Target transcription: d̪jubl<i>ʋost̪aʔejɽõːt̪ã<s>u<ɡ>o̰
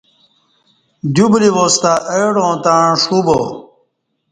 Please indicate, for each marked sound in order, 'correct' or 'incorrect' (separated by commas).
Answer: correct, incorrect, incorrect